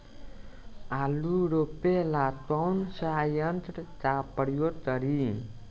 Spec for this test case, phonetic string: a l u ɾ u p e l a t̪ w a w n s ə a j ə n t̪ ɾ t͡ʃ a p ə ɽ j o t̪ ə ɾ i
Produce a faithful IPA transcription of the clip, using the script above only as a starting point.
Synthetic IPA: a l u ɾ o p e l a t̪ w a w n s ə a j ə n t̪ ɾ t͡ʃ a p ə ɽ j o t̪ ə ɾ i

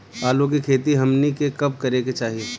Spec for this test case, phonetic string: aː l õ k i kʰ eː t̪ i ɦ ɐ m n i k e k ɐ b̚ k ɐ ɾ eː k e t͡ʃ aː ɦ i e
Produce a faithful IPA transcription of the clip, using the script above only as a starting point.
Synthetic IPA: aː l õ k i kʰ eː t̪ i ɦ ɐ m n i k e k ɐ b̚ k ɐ ɾ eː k e t͡ʃ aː ɦ i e

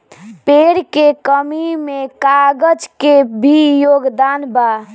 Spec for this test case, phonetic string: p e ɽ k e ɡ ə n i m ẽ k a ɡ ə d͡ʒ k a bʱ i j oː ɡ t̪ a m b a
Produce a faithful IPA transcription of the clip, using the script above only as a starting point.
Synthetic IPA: p e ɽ k e k ə m i m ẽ k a ɡ ə d͡ʒ k e bʱ i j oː ɡ d̪ a n b a

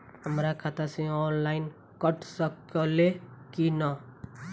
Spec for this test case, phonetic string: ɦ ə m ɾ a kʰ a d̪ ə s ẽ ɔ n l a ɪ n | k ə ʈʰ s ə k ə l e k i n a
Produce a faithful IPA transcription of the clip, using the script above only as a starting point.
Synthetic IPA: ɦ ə m ɾ a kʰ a t̪ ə s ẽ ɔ n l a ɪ n | k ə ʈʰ s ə k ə l e k i n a

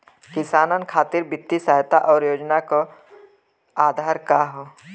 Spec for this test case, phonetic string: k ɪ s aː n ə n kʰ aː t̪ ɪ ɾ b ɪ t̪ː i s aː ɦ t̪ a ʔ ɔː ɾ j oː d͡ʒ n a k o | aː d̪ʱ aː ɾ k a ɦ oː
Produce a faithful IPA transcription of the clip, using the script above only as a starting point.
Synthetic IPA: k ɪ s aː n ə n kʰ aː t̪ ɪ ɾ b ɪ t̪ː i s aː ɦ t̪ a ʔ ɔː ɾ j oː d͡ʒ n a k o | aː d̪ʱ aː ɾ k a ɦ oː

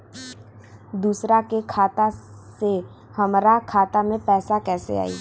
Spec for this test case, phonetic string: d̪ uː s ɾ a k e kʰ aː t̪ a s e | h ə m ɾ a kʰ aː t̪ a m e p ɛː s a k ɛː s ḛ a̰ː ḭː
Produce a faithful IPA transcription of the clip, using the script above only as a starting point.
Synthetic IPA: d̪ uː s ɾ a k e kʰ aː t̪ a s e | h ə m ɾ a kʰ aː t̪ a m ẽ p ɛː s a k ɛː s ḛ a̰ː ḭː

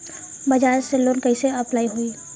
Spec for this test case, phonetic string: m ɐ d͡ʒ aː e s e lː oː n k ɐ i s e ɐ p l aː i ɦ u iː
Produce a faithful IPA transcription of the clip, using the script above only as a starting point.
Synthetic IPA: b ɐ d͡ʒ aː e s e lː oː n k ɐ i s e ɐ p l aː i ɦ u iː

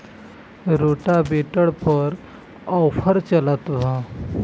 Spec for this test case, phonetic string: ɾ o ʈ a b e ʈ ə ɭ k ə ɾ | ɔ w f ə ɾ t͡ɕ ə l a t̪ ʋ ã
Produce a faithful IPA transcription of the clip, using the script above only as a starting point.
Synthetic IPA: ɾ o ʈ a b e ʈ ə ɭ p ə ɾ | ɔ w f ə ɾ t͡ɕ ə l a t̪ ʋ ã

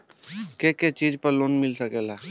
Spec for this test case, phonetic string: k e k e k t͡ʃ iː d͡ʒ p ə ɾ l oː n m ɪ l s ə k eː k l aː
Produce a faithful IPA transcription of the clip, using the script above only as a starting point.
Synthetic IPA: k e k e t͡ʃ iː d͡ʒ p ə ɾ l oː n m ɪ l s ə k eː l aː

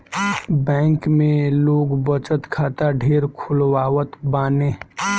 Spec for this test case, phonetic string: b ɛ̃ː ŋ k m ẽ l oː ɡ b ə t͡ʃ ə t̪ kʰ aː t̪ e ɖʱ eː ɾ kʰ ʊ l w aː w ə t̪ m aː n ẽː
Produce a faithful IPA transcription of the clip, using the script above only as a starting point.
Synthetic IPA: b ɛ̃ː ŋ k m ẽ l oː ɡ b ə t͡ʃ ə t̪ kʰ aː t̪ a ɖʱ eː ɾ kʰ ʊ l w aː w ə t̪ b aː n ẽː

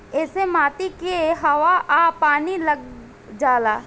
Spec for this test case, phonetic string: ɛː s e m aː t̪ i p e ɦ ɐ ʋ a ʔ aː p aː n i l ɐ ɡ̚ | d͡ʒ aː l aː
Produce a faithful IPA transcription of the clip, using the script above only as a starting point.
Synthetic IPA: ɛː s e m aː t̪ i k e ɦ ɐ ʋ a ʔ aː p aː n i l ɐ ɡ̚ | d͡ʒ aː l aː

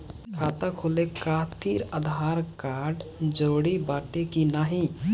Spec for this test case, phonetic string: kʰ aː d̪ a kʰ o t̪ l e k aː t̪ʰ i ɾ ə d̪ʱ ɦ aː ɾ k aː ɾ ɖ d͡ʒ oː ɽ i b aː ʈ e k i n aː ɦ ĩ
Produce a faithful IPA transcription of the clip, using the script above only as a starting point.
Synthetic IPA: kʰ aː t̪ a kʰ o l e k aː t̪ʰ i ɾ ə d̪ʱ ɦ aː ɾ k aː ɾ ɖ d͡ʒ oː ɽ i b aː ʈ e k i n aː ɦ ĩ

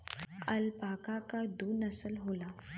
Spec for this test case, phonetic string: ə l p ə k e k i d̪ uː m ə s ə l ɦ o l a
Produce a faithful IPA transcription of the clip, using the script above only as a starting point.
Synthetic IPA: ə l p a k a k a d̪ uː n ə s ə l ɦ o l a

